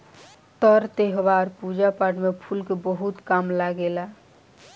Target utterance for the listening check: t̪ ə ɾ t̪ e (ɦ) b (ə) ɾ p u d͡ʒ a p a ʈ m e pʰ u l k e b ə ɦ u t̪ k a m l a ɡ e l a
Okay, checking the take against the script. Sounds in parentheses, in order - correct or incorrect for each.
correct, incorrect

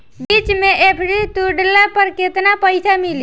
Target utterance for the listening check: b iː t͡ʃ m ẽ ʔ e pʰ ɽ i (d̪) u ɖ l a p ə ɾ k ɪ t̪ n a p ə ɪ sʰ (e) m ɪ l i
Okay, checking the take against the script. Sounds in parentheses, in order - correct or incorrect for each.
incorrect, incorrect

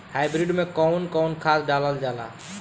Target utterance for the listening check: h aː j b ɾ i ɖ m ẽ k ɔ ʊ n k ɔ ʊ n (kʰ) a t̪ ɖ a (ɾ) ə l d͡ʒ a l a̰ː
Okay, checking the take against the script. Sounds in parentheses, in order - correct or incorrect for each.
correct, incorrect

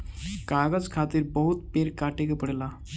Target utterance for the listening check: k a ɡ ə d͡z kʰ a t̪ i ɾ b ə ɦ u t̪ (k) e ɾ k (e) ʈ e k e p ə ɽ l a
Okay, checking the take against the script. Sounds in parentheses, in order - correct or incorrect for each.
incorrect, incorrect

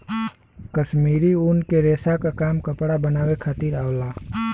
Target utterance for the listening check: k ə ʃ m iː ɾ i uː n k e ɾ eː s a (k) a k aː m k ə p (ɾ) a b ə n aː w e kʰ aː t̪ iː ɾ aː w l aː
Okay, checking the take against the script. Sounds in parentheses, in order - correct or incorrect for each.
correct, incorrect

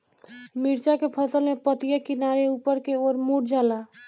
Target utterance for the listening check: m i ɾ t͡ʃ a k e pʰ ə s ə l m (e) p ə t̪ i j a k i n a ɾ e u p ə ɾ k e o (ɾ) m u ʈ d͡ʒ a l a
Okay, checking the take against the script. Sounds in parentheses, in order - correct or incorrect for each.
correct, correct

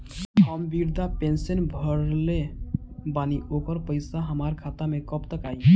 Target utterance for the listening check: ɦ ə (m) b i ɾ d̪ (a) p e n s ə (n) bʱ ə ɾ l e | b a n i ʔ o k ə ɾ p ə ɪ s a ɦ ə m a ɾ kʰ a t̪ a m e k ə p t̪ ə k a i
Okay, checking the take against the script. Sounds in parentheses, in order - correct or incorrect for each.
correct, correct, correct

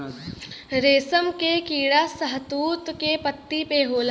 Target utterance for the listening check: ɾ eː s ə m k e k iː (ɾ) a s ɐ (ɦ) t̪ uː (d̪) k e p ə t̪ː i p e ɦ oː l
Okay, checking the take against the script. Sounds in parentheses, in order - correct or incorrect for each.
incorrect, correct, incorrect

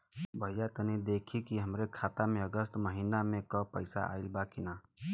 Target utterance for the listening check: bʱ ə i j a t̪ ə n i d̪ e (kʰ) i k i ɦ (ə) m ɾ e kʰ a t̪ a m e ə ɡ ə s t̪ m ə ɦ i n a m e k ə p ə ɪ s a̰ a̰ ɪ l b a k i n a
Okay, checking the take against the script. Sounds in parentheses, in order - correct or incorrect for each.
correct, correct

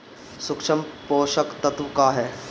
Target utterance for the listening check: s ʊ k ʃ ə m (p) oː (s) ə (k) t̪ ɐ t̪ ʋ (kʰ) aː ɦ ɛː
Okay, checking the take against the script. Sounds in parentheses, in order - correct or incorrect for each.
correct, incorrect, correct, incorrect

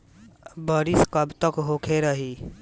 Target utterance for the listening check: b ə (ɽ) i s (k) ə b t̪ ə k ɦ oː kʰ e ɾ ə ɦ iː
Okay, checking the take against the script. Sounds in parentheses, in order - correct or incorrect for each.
incorrect, correct

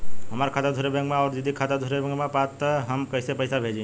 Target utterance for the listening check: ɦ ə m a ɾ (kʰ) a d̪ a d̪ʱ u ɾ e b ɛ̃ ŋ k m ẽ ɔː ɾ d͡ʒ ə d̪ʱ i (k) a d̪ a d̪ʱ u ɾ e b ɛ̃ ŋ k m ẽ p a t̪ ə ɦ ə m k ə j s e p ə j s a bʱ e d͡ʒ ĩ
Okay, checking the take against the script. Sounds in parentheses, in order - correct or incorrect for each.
correct, incorrect

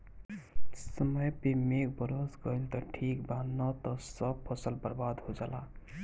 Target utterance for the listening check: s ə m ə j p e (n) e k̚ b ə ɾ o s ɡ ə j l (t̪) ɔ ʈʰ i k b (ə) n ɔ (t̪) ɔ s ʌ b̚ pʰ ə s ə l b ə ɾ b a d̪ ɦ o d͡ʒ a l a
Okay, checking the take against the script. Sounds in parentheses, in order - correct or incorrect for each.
incorrect, correct, incorrect, correct

